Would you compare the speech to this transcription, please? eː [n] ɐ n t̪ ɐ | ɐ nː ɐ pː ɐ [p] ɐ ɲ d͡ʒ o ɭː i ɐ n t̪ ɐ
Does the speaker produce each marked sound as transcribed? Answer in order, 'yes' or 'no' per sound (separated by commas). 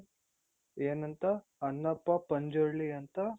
yes, yes